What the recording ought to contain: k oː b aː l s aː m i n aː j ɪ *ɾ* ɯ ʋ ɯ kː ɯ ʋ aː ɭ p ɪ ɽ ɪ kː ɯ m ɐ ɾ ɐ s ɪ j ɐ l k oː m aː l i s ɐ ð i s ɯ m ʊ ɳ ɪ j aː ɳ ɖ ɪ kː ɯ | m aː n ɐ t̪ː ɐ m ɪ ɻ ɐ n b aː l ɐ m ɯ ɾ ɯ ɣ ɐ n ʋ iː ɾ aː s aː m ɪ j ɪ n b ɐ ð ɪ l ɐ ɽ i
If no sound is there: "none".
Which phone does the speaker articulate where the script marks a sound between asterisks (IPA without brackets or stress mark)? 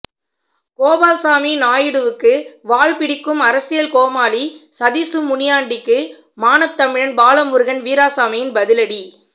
ɽ